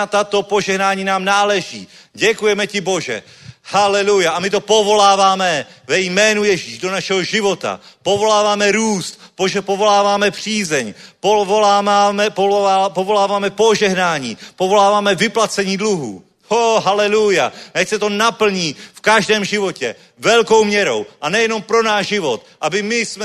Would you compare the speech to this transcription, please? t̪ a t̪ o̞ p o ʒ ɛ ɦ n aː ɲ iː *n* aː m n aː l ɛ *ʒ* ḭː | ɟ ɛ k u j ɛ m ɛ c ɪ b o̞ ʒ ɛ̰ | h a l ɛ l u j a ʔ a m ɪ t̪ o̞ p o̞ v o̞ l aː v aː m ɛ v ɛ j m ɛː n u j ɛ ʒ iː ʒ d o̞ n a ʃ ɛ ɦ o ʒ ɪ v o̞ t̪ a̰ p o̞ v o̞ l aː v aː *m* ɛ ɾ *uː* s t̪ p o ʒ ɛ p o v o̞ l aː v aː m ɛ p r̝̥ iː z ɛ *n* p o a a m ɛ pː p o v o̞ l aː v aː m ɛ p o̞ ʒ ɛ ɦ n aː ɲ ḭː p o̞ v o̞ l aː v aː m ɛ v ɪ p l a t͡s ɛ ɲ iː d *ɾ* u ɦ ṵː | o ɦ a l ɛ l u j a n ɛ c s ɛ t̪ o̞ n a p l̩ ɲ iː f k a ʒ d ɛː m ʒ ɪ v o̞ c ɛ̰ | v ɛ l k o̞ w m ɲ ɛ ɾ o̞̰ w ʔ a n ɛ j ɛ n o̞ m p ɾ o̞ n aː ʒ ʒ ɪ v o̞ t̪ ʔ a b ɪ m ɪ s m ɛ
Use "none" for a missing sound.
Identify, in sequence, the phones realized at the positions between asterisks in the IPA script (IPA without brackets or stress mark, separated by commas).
n, ʒ, m, uː, ɲ, l